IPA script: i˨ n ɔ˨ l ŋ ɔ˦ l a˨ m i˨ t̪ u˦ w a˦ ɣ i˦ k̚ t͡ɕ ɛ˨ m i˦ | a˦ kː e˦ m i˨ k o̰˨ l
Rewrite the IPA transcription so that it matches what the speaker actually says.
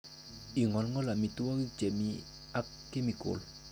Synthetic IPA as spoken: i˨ ŋ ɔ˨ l ŋ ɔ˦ l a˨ m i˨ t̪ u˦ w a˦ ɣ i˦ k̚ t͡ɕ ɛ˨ m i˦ | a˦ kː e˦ m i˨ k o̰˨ l